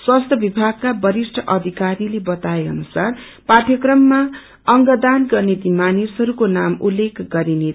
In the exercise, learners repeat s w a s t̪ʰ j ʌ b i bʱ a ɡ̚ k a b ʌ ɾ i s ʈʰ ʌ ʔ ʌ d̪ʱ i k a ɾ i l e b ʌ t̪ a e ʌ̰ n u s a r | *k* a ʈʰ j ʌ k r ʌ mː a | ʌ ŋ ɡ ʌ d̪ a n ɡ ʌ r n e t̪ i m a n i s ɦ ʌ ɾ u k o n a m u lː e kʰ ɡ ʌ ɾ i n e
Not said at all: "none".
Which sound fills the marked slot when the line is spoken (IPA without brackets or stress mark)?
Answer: p